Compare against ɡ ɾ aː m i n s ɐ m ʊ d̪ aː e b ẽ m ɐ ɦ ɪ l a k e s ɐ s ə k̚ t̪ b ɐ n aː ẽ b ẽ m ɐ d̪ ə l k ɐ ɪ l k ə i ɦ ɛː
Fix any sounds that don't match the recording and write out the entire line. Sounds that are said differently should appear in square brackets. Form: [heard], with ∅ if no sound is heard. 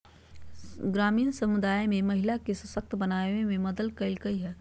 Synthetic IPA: ɡ ɾ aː m [iː] n s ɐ m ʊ d̪ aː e [m] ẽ m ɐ ɦ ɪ l a k e s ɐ s ə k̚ t̪ b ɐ n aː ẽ [m] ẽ m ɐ d̪ ə l k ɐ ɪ l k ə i ɦ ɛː